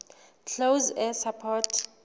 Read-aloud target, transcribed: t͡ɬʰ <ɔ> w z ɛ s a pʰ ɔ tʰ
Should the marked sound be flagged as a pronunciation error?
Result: yes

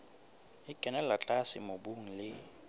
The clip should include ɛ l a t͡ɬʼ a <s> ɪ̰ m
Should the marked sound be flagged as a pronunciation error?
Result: no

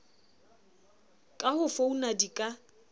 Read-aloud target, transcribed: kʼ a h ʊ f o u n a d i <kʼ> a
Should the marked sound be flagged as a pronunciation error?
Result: no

